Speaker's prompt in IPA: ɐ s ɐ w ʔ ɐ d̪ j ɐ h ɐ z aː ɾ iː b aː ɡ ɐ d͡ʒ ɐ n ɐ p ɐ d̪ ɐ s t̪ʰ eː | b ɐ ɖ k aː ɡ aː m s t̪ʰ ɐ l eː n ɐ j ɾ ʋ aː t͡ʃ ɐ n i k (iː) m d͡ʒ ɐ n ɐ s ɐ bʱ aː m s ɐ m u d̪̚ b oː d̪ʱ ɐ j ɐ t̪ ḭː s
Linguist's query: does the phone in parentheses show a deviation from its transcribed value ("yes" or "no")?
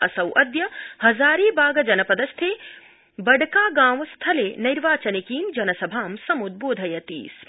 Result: no